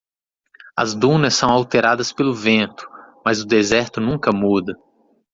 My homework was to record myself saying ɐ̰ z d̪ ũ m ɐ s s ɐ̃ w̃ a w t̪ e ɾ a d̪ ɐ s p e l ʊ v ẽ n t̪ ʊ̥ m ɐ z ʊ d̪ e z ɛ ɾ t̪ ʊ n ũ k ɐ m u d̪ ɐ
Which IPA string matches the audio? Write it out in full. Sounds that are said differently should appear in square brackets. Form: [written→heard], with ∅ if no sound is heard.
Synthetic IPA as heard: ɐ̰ z d̪ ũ [m→n] ɐ s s ɐ̃ w̃ a w t̪ e ɾ a d̪ ɐ s p e l ʊ v ẽ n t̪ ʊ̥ m ɐ z ʊ d̪ e z ɛ ɾ t̪ ʊ n ũ k ɐ m u d̪ ɐ